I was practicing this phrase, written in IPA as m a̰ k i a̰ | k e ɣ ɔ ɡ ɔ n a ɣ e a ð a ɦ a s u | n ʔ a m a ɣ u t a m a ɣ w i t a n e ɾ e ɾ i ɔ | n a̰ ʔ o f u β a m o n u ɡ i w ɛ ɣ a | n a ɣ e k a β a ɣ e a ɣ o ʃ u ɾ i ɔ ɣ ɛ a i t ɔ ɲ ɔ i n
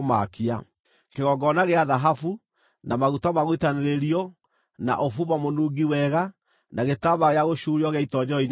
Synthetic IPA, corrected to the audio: m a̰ k i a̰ | k e ɣ ɔ ɡ ɔ n a ɣ e a ð a ɦ a f u | n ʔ a m a ɣ u t a m a ɣ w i t a n e ɾ e ɾ i ɔ | n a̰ ʔ o f u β a m o n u ɡ i w ɛ ɣ a | n a ɣ e t a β a ɣ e a ɣ o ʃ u ɾ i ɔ ɣ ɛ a i t ɔ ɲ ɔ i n

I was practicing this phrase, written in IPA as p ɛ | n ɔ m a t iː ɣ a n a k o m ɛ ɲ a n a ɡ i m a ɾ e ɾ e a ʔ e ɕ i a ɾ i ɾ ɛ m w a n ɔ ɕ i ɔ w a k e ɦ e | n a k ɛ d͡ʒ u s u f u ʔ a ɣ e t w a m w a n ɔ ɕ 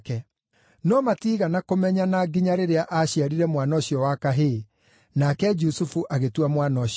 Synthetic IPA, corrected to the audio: k ɛ | n ɔ m a t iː ɣ a n a k o m ɛ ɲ a n a ɡ i ɲ a ɾ e ɾ e a ʔ a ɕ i a ɾ i ɾ ɛ m w a n ɔ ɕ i ɔ w a k a ɦ e | n a k ɛ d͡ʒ u s u f u ʔ a ɣ e t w a m w a n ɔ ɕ

